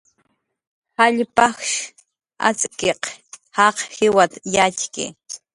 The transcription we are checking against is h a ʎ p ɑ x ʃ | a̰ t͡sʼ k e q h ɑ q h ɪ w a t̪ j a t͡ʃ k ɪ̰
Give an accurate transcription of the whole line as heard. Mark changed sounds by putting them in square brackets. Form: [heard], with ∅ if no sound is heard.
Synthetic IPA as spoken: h a ʎ p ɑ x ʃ | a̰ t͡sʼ k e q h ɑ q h ɪ w a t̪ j a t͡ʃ k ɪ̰